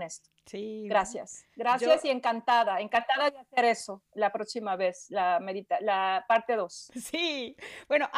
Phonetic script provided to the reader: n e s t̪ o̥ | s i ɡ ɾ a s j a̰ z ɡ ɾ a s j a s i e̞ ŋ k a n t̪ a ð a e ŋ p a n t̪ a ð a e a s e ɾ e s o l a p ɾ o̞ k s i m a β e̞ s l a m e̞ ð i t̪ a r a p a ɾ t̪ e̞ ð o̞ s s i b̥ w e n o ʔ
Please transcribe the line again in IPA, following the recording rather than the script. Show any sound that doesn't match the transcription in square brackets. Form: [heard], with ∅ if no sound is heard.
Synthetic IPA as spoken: n e s t̪ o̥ | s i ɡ ɾ a s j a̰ [s] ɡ ɾ a s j a s i e̞ ŋ k a n t̪ a ð a e ŋ [k] a n t̪ a ð a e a s e ɾ e s o l a p ɾ o̞ k s i m a β e̞ s l a m e̞ ð i t̪ a [l] a p a ɾ t̪ e̞ ð o̞ s s i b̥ w e n o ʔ